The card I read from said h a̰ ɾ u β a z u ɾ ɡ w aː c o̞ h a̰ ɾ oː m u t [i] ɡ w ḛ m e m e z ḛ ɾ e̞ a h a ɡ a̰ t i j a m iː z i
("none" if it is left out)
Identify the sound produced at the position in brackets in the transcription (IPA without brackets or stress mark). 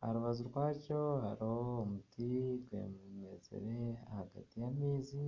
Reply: i